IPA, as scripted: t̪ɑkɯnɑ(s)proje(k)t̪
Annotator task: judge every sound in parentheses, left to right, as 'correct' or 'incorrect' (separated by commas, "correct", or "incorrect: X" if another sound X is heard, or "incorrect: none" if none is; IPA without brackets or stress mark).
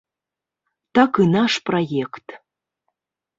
incorrect: ʃ, correct